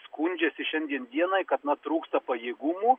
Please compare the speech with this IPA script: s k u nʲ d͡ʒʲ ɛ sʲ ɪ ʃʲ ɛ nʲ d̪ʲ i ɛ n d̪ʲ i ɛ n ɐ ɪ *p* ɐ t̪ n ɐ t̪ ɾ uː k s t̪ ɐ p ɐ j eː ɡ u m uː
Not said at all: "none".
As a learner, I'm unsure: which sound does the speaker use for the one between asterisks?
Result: k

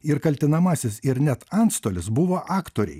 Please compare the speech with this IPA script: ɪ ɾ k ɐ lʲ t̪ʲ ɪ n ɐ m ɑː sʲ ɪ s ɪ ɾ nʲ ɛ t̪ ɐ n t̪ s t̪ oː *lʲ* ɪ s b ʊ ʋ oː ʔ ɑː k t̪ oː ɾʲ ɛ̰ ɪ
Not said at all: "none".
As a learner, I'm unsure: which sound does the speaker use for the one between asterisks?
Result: lʲ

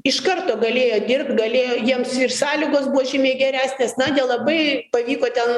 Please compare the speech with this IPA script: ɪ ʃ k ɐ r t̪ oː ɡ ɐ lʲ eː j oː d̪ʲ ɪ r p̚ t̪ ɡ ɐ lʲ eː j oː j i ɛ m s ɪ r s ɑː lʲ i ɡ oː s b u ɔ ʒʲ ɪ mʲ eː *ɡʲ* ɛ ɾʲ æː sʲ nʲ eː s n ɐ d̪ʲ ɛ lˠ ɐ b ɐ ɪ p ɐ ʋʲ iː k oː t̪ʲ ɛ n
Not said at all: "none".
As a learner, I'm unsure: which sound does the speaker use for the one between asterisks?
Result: ɡʲ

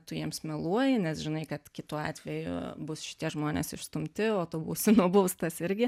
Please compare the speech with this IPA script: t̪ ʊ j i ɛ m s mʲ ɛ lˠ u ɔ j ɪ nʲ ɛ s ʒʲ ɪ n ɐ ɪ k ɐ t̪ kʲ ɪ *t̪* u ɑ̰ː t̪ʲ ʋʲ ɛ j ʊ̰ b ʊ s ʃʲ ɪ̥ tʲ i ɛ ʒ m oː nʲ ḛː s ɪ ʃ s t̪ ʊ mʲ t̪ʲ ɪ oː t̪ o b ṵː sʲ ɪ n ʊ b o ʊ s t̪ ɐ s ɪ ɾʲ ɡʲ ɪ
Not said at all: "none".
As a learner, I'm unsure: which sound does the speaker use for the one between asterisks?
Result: t̪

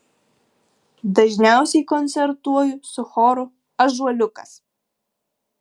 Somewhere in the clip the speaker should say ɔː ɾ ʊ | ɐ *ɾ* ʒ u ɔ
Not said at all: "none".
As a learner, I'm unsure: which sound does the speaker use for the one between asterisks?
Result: none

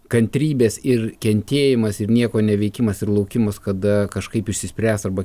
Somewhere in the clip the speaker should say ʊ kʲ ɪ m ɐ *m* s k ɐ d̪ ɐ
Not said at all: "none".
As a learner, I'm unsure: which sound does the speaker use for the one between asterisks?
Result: none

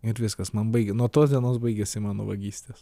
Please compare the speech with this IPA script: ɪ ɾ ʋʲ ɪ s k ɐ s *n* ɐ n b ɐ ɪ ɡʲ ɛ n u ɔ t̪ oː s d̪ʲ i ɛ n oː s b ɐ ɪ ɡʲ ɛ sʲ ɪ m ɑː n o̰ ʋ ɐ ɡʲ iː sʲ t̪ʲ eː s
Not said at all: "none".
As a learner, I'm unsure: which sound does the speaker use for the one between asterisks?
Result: m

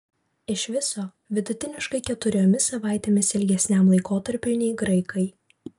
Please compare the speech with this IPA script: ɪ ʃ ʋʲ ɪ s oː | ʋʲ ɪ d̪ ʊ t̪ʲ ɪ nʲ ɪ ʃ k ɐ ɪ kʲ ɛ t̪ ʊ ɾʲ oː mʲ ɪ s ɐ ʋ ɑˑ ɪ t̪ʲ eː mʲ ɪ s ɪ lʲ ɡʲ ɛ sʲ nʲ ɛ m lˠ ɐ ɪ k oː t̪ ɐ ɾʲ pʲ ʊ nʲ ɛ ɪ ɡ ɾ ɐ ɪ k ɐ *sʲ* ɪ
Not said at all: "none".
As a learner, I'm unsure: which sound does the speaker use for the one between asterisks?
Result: none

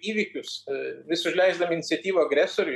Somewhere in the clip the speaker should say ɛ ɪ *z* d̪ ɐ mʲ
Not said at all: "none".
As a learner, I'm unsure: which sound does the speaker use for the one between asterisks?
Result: z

